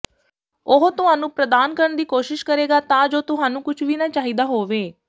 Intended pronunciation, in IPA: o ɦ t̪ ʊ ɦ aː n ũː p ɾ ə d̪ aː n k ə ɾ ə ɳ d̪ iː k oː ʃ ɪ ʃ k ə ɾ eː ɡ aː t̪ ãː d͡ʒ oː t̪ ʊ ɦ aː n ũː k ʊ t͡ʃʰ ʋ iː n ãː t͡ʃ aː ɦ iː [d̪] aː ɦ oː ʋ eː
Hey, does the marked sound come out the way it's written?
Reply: yes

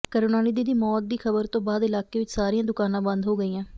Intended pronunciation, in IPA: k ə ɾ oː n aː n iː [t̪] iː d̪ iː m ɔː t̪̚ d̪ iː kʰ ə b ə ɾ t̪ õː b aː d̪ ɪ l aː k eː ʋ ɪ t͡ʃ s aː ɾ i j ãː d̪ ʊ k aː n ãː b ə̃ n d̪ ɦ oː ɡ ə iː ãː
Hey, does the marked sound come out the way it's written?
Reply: no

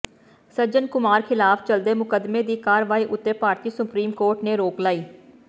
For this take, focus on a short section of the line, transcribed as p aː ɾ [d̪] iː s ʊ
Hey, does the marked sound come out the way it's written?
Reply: no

